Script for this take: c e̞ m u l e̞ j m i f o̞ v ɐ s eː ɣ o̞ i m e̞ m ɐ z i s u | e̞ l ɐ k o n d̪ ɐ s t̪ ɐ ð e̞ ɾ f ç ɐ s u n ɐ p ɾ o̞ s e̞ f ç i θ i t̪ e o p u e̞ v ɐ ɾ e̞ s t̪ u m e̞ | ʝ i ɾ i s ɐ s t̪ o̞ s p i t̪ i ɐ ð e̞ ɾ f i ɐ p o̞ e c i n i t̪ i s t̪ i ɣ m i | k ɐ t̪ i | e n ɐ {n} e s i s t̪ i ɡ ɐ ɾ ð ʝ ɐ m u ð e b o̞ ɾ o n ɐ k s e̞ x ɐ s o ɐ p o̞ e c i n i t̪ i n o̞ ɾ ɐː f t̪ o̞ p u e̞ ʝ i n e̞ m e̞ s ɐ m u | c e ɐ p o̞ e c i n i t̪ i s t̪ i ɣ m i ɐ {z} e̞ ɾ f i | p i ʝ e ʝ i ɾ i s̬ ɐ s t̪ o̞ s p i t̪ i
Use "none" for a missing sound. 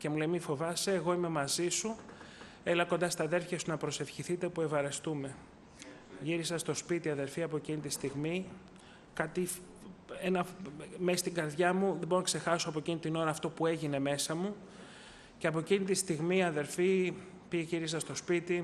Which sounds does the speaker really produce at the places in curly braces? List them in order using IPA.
m, ð

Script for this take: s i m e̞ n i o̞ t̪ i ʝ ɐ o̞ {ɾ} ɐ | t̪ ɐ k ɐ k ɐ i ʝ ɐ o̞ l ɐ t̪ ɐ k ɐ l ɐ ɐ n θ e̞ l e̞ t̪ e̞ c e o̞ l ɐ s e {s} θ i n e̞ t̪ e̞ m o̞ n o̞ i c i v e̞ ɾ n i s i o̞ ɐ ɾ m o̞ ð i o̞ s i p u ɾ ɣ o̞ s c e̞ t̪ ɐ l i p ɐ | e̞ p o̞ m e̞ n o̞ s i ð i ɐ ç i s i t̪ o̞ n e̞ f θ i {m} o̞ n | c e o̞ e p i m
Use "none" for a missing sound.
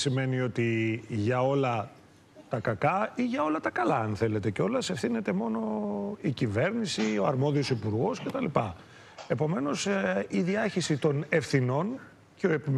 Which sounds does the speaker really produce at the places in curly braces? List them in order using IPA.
l, f, n

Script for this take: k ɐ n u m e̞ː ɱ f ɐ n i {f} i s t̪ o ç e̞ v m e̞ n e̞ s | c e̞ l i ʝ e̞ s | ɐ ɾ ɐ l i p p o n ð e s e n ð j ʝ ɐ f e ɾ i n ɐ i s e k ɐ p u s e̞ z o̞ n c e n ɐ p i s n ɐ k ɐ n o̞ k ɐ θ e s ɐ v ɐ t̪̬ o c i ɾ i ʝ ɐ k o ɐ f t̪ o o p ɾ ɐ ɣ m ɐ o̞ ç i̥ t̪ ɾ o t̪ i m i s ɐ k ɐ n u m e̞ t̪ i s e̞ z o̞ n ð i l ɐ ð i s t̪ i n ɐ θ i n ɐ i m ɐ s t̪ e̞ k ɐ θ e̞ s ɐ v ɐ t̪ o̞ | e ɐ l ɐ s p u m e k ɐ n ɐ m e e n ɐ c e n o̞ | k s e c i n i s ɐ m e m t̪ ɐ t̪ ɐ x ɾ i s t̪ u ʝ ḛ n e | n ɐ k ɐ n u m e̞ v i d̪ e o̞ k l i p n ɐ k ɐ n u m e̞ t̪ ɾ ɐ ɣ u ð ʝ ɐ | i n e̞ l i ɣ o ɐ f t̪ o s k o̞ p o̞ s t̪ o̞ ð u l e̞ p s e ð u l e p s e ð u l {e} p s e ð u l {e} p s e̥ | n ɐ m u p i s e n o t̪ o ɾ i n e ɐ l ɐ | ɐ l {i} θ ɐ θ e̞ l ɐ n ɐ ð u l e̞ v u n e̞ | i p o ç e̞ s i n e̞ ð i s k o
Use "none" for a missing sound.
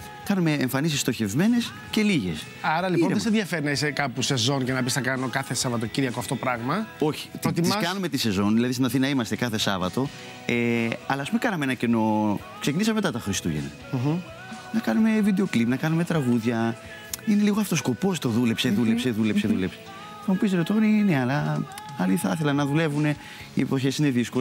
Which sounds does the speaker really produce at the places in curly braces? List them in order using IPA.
s, e, e, i

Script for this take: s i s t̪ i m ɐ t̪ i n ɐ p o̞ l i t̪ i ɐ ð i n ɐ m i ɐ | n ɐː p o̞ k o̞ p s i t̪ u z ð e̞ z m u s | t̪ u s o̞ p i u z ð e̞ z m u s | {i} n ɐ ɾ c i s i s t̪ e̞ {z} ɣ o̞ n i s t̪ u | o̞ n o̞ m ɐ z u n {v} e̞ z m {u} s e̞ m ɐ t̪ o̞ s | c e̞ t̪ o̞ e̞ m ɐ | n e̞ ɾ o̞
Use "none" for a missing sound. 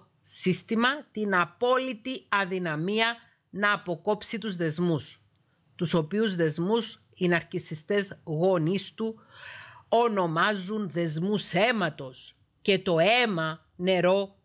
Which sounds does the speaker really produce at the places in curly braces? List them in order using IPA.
i, z, ð, u

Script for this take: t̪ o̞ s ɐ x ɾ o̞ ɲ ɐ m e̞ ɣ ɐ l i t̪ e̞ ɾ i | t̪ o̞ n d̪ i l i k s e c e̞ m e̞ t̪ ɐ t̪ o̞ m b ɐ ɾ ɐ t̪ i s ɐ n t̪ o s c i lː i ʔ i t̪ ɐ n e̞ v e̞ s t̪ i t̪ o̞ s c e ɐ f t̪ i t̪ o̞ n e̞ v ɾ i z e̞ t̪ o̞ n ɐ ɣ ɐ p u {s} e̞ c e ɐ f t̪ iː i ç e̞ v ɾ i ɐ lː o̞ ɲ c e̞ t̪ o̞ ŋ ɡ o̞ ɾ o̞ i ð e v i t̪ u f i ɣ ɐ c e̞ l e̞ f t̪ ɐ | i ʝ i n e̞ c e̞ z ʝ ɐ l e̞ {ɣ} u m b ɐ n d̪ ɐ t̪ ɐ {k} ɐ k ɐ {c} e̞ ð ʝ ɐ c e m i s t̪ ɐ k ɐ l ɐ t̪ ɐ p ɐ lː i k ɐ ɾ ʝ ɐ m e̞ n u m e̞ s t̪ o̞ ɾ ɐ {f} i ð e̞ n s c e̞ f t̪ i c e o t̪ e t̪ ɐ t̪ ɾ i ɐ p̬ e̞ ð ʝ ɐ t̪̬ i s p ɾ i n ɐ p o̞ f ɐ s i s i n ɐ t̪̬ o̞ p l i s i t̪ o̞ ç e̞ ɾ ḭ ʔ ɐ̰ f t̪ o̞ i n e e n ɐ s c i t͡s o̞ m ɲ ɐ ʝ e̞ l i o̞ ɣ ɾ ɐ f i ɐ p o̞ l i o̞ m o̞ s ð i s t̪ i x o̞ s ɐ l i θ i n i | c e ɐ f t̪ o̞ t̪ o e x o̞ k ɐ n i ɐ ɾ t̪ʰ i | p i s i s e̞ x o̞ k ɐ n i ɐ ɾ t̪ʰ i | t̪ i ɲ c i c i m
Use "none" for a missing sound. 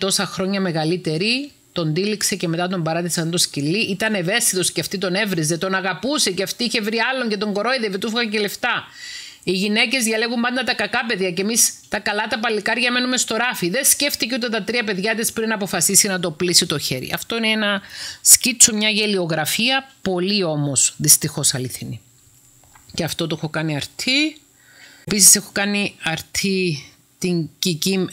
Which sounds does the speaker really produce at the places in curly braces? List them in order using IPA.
s, ɣ, k, p, f

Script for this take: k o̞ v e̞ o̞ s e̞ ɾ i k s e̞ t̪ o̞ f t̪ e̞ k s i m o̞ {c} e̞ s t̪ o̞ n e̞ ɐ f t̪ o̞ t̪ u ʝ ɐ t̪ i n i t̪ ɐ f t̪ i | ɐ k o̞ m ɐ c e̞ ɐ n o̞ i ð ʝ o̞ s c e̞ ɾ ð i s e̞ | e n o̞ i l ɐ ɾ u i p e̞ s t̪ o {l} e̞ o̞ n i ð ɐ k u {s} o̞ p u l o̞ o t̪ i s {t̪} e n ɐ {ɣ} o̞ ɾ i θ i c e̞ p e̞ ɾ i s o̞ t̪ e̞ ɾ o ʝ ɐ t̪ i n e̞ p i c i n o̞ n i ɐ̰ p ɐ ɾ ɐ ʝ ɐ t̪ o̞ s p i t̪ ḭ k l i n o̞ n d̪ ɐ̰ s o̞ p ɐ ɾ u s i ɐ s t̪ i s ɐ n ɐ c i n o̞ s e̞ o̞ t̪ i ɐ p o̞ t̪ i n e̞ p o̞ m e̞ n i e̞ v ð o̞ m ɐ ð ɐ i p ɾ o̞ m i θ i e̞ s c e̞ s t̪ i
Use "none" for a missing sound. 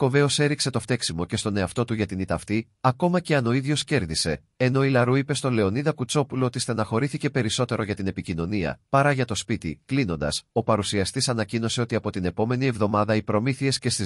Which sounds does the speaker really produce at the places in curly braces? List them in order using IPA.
c, l, t͡s, t̪, x

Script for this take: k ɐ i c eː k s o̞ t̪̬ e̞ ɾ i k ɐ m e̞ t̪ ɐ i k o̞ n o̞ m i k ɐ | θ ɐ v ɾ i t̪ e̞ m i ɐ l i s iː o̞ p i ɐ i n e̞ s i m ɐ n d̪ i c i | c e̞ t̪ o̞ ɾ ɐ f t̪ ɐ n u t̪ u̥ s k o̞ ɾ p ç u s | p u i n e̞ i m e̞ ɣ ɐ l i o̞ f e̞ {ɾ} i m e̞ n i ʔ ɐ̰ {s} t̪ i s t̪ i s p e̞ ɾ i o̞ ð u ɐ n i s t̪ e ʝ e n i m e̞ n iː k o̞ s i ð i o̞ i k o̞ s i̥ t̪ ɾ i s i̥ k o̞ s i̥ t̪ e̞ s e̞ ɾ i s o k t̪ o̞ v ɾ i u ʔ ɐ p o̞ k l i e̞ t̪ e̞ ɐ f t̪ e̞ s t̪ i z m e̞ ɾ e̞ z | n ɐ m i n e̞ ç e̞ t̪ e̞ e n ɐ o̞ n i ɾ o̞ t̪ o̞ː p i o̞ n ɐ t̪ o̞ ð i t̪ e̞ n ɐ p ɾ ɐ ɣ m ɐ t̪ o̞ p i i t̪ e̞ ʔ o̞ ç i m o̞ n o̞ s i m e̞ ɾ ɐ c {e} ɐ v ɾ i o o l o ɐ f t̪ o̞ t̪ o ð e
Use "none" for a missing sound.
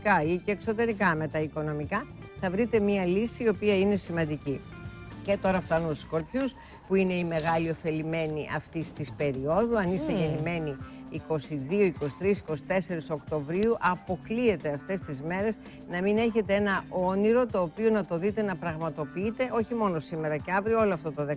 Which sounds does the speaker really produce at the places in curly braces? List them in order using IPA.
l, f, e

